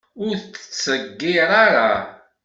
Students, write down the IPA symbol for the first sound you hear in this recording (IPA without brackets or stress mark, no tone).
ʊ